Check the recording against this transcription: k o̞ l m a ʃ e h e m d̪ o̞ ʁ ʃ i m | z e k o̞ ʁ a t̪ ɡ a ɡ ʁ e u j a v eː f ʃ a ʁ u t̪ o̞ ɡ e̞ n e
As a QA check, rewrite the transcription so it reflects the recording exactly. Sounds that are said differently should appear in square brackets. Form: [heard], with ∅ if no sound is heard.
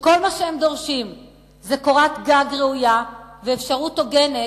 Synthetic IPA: k o̞ l m a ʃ e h e m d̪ o̞ ʁ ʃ i m | z e k o̞ ʁ a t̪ ɡ a ɡ ʁ e u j a v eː f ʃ a ʁ u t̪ o̞ ɡ e̞ n e